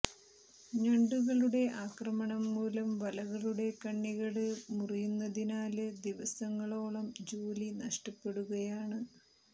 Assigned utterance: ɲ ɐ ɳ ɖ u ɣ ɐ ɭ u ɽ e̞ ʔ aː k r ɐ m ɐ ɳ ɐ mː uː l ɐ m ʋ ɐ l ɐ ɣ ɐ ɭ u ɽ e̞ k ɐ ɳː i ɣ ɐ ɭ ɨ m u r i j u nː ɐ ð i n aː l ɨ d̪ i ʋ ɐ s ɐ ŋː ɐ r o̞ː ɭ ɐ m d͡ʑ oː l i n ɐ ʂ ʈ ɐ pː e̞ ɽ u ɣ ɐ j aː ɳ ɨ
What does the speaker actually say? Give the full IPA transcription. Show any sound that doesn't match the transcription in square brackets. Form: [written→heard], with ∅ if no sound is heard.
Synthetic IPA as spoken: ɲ ɐ ɳ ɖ u ɣ ɐ ɭ u ɽ e̞ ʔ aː k r ɐ m ɐ ɳ ɐ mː uː l ɐ m ʋ ɐ l ɐ ɣ ɐ ɭ u ɽ e̞ k ɐ ɳː i ɣ ɐ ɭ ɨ m u r i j u nː ɐ ð i n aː l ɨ d̪ i ʋ ɐ s ɐ ŋː ɐ [r→ɭ] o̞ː ɭ ɐ m d͡ʑ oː l i n ɐ ʂ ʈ ɐ pː e̞ ɽ u ɣ ɐ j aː ɳ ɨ